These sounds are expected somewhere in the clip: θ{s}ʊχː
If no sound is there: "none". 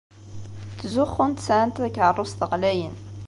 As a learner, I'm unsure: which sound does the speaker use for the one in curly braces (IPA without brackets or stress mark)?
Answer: z